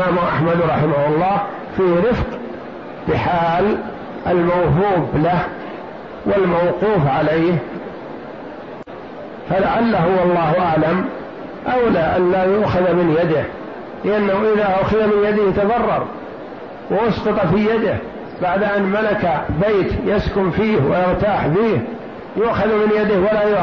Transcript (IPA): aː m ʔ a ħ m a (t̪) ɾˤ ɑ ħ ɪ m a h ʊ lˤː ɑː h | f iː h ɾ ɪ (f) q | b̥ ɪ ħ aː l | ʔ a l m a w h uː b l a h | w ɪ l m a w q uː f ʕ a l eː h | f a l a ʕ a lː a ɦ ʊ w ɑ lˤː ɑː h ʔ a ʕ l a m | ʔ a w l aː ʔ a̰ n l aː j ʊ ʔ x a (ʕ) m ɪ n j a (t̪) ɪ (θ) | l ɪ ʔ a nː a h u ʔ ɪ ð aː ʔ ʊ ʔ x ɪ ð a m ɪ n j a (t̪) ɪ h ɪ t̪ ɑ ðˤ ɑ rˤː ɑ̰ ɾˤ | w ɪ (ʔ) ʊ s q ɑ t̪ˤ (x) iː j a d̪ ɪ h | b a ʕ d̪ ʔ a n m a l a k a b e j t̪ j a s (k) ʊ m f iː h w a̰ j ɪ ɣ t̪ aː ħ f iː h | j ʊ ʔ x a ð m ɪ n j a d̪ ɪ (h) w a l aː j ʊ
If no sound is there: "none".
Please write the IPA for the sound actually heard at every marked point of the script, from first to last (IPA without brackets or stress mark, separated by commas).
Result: d̪, f, ð, d̪, h, d̪, ʔ, f, k, h